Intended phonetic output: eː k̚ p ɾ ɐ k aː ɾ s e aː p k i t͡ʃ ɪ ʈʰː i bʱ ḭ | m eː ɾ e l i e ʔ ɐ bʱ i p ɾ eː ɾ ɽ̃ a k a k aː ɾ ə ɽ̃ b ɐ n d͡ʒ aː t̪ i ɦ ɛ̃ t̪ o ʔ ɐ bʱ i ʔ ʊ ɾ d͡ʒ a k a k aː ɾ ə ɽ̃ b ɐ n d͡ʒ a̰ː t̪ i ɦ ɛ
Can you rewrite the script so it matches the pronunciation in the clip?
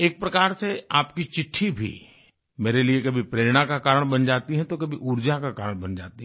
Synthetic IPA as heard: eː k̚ p ɾ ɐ k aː ɾ s e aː p k i t͡ʃ ɪ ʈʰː i bʱ ḭ | m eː ɾ e l i e k ɐ bʱ i p ɾ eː ɾ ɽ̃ a k a k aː ɾ ə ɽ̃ b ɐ n d͡ʒ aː t̪ i ɦ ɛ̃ t̪ o k ɐ bʱ i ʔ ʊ ɾ d͡ʒ a k a k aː ɾ ə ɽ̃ b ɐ n d͡ʒ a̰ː t̪ i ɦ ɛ